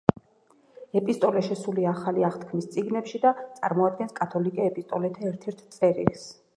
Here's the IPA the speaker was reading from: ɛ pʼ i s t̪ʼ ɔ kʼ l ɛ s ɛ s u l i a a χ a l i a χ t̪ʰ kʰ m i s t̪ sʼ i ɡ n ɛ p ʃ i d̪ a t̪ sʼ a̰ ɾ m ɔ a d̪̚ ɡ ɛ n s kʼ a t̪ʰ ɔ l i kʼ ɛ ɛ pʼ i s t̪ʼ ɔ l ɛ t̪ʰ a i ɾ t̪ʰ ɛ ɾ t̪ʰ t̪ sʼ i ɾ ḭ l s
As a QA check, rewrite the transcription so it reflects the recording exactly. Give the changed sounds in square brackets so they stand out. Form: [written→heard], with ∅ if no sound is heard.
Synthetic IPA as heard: ɛ pʼ i s t̪ʼ ɔ [kʼ→∅] l ɛ [s→ʃ] ɛ s u l i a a χ a l i a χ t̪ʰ kʰ m i s t̪ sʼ i ɡ n ɛ p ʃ i d̪ a t̪ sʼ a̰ ɾ m ɔ a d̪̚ ɡ ɛ n s kʼ a t̪ʰ ɔ l i kʼ ɛ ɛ pʼ i s t̪ʼ ɔ l ɛ t̪ʰ a [i→ɛ] ɾ t̪ʰ ɛ ɾ t̪ʰ t̪ sʼ [i→ɛ] ɾ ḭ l s